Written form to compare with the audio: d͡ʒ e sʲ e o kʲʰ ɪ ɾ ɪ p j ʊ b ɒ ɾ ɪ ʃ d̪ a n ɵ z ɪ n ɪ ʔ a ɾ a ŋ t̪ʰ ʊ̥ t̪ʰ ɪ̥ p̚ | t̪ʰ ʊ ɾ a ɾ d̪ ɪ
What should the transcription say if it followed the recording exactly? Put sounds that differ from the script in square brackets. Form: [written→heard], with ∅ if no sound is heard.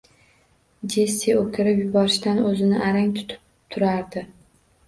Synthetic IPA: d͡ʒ e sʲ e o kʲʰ ɪ ɾ ɪ p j ʊ b ɒ ɾ ɪ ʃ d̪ a n ɵ z ɪ n ɪ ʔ a ɾ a ŋ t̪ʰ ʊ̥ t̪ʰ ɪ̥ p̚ | t̪ʰ ʊ ɾ a ɾ d̪ ɪ